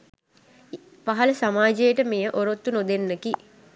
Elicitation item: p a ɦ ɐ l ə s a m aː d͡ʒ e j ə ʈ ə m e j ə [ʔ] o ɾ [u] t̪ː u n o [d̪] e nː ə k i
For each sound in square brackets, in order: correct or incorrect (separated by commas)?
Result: correct, incorrect, correct